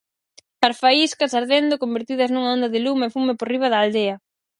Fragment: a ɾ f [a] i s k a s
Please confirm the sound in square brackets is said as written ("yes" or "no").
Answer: yes